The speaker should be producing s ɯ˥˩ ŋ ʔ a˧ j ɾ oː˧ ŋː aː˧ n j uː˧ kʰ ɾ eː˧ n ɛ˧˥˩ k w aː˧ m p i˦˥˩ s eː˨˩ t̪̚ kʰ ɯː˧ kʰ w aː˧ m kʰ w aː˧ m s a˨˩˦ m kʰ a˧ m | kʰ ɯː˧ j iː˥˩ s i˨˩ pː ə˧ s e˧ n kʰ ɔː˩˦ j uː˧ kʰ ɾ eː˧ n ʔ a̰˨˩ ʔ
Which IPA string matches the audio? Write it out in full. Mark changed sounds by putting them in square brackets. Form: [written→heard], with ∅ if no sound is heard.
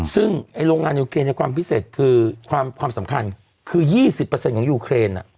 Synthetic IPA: s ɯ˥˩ ŋ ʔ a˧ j ɾ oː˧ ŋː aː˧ n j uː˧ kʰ ɾ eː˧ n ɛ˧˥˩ k w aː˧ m p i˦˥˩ s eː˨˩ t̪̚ kʰ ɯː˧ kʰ w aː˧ m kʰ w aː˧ m s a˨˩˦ m kʰ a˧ [m→n] | kʰ ɯː˧ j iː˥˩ s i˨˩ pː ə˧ s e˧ n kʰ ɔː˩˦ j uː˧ kʰ ɾ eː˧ n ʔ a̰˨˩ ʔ